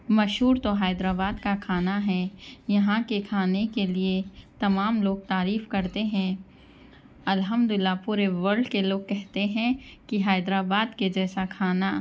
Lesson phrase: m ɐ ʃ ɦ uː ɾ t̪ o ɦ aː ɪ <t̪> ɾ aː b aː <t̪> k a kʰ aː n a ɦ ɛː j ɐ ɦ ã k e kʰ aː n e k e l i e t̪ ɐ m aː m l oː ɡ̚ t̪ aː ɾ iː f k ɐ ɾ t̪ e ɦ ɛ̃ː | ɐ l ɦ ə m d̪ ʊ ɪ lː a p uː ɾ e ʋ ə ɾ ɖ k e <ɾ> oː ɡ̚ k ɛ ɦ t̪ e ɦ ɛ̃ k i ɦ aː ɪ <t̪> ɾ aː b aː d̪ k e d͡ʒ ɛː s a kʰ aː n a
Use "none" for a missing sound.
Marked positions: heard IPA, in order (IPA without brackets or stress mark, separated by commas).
d̪, d̪, l, d̪